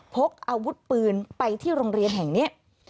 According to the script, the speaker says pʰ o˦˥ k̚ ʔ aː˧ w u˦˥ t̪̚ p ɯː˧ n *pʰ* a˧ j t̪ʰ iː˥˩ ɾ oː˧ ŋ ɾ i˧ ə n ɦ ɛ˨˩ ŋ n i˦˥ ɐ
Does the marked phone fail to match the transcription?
yes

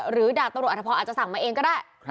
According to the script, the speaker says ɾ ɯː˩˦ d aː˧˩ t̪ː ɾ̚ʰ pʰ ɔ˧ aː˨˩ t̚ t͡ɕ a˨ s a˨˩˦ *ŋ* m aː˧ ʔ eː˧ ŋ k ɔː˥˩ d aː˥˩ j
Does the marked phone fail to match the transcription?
no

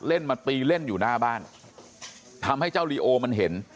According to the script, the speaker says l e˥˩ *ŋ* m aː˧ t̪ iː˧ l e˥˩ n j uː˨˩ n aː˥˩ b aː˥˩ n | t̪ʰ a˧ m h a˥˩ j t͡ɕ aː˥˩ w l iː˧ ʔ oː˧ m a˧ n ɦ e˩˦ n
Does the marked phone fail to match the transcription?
yes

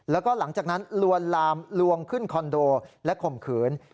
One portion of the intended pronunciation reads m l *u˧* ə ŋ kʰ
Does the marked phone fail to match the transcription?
no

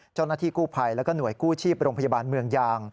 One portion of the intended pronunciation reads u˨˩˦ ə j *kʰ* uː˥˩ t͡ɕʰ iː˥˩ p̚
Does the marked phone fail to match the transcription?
yes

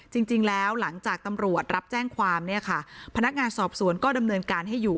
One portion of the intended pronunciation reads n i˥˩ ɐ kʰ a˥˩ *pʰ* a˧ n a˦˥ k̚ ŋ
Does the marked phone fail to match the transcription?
no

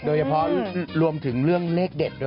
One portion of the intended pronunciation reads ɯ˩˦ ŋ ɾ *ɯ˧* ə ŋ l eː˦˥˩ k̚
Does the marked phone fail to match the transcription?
yes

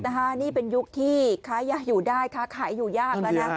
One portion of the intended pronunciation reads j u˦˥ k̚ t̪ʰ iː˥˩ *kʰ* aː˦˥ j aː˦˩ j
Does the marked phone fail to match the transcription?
no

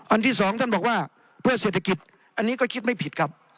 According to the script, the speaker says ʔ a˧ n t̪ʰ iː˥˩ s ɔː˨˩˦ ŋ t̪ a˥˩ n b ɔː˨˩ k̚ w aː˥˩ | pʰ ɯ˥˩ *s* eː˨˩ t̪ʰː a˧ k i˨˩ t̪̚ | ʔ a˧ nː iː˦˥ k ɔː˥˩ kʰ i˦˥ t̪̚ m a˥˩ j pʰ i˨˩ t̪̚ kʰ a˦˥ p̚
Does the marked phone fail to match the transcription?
no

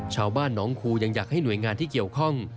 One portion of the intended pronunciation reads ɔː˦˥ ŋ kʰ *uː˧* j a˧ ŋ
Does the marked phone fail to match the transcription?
no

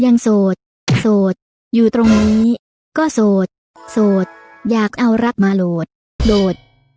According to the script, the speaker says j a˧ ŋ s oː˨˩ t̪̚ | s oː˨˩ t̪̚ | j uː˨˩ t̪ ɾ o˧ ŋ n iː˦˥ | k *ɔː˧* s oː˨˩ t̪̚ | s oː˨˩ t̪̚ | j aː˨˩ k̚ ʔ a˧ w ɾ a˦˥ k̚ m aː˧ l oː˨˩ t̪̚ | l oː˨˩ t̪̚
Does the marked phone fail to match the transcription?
yes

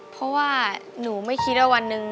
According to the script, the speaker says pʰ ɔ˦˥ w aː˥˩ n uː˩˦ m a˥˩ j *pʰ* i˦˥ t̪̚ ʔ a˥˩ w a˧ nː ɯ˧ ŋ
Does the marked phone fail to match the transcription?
yes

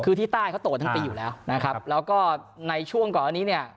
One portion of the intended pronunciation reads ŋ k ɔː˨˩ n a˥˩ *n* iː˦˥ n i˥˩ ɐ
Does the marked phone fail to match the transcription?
no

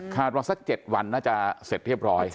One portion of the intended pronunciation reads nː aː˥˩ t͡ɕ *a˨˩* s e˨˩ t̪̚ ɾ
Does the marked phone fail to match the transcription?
no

